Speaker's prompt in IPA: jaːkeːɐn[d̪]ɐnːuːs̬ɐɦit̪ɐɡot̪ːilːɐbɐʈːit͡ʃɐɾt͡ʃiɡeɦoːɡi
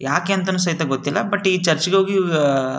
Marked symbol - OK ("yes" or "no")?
no